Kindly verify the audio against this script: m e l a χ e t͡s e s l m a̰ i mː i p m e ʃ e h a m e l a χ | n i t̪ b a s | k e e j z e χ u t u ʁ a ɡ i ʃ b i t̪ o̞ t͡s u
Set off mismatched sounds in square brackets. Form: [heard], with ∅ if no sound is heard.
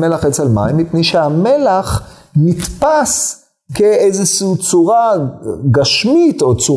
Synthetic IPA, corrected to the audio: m e l a χ e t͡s e [∅] l m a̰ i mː i p [n] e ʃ e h a m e l a χ | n i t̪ [p] a s | k e e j z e [ʃ] u [t͡s] u ʁ a ɡ [a] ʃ [m] i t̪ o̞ t͡s u